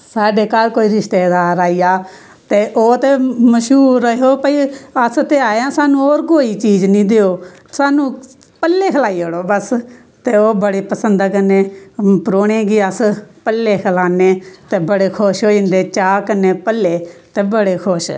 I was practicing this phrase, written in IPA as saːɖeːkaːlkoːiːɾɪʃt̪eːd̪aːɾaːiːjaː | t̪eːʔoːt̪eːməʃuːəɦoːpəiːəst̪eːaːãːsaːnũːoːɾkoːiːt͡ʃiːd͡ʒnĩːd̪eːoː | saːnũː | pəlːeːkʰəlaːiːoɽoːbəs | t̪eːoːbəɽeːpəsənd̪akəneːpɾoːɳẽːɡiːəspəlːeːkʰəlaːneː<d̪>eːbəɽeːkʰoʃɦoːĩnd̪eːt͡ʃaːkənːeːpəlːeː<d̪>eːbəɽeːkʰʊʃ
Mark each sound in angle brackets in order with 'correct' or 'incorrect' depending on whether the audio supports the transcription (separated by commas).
incorrect, incorrect